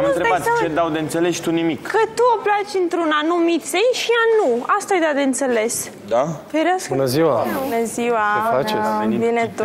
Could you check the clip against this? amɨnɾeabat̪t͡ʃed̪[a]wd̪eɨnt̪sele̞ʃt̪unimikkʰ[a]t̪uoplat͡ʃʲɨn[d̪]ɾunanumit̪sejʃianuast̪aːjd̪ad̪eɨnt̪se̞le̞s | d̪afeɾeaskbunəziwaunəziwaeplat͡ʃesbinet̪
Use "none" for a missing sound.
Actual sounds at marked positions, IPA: a, ə, t̪

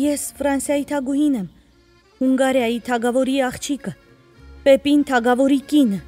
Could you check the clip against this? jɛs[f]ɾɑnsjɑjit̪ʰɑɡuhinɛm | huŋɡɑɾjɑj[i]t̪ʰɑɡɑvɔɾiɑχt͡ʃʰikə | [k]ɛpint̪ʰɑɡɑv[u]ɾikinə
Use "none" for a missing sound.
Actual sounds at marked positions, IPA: f, i, p, ɔ

